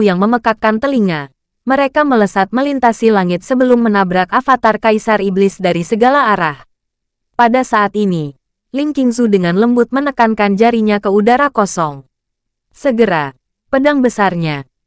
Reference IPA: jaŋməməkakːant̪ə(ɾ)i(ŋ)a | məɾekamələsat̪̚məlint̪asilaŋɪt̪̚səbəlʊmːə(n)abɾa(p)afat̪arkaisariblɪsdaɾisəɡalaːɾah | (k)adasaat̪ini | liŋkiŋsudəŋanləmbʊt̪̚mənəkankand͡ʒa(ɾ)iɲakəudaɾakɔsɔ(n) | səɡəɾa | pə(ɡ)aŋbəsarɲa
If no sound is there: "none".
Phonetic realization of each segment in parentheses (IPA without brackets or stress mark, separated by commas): l, ŋ, n, k, p, ɾ, ŋ, d